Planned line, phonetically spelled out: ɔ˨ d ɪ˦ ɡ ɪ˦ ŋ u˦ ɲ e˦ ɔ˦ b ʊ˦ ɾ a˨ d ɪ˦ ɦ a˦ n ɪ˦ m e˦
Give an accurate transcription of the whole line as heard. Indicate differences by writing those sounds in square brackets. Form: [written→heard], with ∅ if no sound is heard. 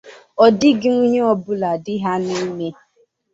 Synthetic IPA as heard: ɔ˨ d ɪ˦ ɡ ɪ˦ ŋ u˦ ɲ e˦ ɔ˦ b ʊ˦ [ɾ→l] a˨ d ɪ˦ ɦ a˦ n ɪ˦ m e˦